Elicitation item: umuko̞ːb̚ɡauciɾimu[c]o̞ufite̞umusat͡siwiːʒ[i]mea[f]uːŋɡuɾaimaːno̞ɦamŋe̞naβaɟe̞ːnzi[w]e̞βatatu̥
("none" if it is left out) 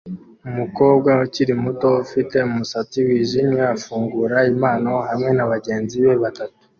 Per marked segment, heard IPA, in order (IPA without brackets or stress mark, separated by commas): t, i, f, β